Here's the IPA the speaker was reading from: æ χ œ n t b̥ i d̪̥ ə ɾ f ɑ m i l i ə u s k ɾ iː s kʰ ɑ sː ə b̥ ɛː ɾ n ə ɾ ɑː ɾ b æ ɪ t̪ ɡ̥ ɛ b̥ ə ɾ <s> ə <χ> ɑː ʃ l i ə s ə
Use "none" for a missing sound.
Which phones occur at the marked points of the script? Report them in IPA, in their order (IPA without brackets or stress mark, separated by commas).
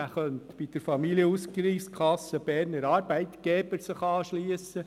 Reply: s, χ